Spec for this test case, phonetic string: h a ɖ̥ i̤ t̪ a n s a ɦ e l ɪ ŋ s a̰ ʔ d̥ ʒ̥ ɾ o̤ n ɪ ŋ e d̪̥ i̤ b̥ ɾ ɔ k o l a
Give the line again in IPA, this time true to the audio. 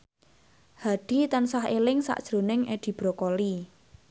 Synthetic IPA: h a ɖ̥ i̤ t̪ a n s a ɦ e l ɪ ŋ s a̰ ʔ d̥ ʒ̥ ɾ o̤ n ɪ ŋ e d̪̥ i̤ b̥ ɾ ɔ k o l i

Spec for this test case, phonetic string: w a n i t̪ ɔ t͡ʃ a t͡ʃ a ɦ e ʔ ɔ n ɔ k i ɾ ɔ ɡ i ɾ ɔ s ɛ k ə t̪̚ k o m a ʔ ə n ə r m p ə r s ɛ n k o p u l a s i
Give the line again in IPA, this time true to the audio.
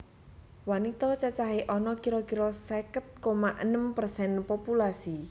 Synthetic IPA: w a n i t̪ ɔ t͡ʃ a t͡ʃ a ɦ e ʔ ɔ n ɔ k i ɾ ɔ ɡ i ɾ ɔ s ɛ k ə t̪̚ k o m a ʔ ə n ə m p ə r s ɛ n p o p u l a s i

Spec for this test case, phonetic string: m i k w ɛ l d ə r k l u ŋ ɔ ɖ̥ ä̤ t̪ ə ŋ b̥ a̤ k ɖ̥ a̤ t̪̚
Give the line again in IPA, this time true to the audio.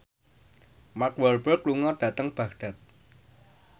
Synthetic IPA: m a k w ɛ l b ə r k l u ŋ ɔ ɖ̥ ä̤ t̪ ə ŋ b̥ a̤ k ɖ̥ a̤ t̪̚

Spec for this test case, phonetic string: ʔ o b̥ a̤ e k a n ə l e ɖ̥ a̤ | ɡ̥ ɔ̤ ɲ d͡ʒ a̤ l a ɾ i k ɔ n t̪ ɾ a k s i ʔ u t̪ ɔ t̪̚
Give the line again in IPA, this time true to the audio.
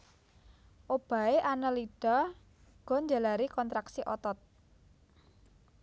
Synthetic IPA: ʔ o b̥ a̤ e ʔ a n ə l i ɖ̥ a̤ | ɡ̥ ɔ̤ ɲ d͡ʒ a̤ l a ɾ i k ɔ n t̪ ɾ a k s i ʔ ɔ t̪ ɔ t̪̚

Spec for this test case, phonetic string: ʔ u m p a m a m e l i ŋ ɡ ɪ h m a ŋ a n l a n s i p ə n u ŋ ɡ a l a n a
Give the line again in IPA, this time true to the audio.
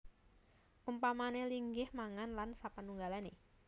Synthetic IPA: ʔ u m p a m a n e l i ŋ ɡ ɪ h m a ŋ a n l a n s a p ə n u ŋ ɡ a l a n e

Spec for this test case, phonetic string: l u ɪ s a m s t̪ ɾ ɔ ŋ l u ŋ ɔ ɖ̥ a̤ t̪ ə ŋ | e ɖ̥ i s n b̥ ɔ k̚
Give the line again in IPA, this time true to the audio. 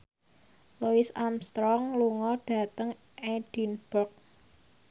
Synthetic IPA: l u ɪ s a m s t̪ ɾ ɔ ŋ l u ŋ ɔ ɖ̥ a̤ t̪ ə ŋ | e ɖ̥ i n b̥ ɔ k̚

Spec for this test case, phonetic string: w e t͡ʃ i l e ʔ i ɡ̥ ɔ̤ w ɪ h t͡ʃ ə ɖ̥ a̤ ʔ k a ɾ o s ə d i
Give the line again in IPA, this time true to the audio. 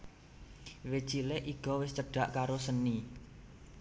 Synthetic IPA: w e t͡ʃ i l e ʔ i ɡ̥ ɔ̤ w ɪ s t͡ʃ ə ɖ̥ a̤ ʔ k a ɾ o s ə n i

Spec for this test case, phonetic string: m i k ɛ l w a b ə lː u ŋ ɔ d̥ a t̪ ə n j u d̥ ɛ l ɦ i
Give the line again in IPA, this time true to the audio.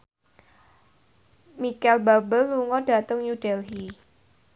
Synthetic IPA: m i k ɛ l b a b ə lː u ŋ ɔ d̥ a t̪ ə ŋ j u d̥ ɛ l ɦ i

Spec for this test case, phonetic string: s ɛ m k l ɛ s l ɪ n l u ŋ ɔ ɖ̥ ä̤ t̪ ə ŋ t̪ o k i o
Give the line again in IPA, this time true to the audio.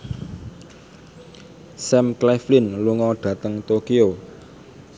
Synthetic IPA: s ɛ m k l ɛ f l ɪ n l u ŋ ɔ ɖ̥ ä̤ t̪ ə ŋ t̪ o k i o

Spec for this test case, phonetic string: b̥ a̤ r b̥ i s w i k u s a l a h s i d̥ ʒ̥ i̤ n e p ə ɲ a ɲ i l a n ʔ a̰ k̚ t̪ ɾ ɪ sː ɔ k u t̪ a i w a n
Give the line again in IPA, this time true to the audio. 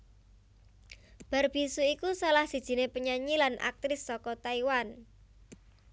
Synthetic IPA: b̥ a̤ r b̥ i s u i k u s a l a h s i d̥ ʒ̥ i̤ n e p ə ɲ a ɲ i l a n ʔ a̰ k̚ t̪ ɾ ɪ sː ɔ k ɔ t̪ a i w a n

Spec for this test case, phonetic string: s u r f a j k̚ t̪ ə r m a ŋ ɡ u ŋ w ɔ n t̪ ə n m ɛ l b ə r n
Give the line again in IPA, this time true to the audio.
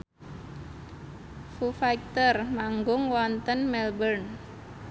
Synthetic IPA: f u f a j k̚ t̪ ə r m a ŋ ɡ ʊ ŋ w ɔ n t̪ ə n m ɛ l b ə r n

